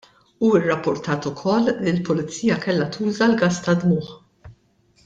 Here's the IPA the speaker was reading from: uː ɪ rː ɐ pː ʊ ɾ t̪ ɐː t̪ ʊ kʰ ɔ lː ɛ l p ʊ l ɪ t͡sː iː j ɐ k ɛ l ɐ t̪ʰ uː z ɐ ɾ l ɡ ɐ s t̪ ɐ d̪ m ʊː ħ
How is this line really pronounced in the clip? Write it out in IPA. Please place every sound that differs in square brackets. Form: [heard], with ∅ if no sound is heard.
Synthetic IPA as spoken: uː ɪ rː ɐ pː ʊ ɾ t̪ ɐː t̪ ʊ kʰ ɔ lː [i] l p ʊ l ɪ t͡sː iː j ɐ k ɛ [lː] ɐ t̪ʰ uː z ɐ [∅] l ɡ ɐ s t̪ ɐ d̪ m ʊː ħ